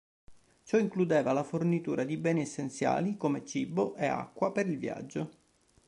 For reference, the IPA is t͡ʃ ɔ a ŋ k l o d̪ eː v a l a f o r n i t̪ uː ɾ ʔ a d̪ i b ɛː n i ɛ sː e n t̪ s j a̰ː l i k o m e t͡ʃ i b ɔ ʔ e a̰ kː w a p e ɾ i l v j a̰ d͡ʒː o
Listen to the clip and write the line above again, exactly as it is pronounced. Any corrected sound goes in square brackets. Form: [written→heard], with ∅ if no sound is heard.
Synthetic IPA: t͡ʃ ɔ [a→i] ŋ k l [o→u] d̪ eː v a l a f o r n i t̪ uː ɾ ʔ a d̪ i b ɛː n i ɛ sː e n t̪ s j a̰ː l i k o m e t͡ʃ i b [ɔ→o] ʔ e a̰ kː w a p e ɾ i l v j a̰ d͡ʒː o